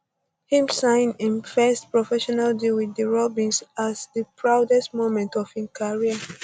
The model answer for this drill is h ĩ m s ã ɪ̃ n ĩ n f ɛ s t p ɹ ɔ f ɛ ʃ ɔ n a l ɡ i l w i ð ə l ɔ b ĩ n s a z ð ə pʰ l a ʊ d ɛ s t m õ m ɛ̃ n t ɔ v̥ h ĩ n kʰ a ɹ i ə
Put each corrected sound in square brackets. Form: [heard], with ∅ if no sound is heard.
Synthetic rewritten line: h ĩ m s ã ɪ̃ n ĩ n f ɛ s t p ɹ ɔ f ɛ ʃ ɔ n a l [d] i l w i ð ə [ɹ] ɔ b ĩ n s a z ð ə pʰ [ɹ] a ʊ d ɛ s t m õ m ɛ̃ n t ɔ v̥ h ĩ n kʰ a ɹ i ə

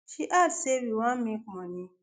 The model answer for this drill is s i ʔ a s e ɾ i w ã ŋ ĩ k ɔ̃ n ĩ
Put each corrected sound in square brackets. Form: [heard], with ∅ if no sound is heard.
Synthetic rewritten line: [ʃ] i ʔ a s e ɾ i w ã [m] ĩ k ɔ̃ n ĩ

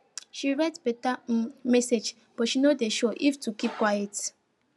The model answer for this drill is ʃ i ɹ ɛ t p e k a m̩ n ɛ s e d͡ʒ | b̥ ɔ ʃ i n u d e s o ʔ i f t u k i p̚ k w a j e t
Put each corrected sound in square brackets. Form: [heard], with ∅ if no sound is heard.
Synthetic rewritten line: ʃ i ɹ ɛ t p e [t] a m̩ [m] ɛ s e d͡ʒ | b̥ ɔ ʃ i n [o] d e [ʃ] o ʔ i f t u k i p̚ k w a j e t

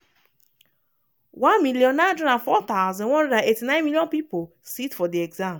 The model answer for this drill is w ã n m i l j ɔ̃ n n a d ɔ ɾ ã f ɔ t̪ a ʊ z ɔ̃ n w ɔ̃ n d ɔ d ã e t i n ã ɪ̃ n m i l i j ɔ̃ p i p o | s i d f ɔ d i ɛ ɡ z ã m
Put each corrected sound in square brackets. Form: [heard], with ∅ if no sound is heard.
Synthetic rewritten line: w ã n m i l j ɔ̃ n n a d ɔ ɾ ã f ɔ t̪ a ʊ z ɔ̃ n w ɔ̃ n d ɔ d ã e t i n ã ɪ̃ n m i l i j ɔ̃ p i p o | s i [t] f ɔ d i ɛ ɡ z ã m

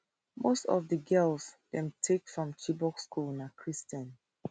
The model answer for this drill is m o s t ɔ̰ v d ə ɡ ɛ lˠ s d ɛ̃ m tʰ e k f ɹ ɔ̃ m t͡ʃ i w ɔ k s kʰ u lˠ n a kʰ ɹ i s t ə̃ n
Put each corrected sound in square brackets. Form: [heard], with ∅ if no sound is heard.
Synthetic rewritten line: m o s t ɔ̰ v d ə ɡ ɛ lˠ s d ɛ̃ m tʰ e k f ɹ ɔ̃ m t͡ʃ i [b] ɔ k s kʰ u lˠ n a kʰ ɹ i s t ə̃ n

